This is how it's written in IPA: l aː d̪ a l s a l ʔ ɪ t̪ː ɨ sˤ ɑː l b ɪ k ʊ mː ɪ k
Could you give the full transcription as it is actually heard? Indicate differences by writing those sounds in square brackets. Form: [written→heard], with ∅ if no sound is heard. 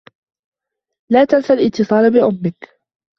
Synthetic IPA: l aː [d̪→t̪] a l s a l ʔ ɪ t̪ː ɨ sˤ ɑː l b ɪ [k→ʔ] ʊ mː ɪ k